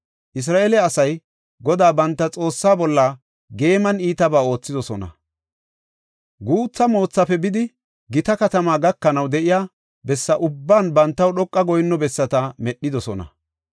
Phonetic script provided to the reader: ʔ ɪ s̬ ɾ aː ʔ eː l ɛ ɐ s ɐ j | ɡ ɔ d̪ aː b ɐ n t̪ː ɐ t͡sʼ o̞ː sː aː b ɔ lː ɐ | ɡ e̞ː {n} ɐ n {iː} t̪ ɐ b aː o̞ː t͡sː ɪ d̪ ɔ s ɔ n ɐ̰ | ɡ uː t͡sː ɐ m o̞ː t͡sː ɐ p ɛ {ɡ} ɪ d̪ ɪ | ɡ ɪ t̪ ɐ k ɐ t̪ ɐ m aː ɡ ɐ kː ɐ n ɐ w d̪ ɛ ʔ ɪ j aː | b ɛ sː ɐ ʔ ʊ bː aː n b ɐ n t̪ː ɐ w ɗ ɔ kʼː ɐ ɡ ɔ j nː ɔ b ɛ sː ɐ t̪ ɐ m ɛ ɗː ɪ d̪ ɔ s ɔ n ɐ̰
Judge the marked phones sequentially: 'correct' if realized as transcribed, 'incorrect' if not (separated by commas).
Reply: incorrect, correct, incorrect